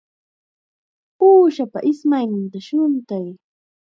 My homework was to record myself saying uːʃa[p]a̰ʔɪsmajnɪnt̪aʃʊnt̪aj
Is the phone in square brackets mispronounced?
no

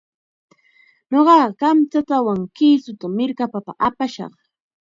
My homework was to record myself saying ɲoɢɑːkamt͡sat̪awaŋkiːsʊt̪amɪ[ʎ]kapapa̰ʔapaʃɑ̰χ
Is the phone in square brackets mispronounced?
yes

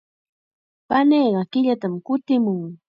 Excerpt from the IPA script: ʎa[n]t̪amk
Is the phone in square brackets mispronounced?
yes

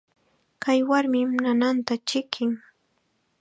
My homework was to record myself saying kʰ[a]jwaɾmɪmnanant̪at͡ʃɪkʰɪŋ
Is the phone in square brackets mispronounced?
no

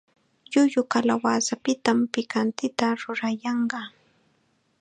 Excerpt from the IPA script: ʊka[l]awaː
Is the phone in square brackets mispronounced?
no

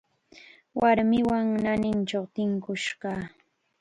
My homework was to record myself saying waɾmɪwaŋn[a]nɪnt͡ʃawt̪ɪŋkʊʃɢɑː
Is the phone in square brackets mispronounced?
no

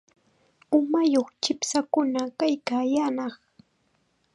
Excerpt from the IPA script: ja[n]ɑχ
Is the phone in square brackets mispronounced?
no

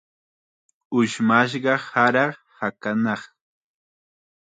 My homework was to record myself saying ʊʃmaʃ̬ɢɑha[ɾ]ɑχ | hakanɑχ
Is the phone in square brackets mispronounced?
no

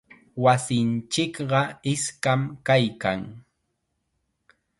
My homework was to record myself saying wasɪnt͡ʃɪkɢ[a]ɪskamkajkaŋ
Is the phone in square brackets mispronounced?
yes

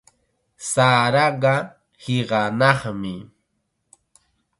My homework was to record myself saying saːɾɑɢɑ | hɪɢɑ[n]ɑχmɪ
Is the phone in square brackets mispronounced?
no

